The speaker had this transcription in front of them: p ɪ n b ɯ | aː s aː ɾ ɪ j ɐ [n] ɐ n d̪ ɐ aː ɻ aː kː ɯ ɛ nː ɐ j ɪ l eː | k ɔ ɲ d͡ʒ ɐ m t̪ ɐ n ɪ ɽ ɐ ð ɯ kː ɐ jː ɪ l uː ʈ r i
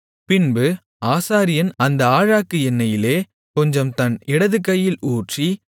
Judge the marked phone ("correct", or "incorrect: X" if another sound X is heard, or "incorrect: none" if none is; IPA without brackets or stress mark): correct